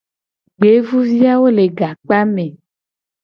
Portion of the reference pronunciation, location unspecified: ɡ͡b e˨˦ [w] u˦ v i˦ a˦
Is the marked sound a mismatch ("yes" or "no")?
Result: yes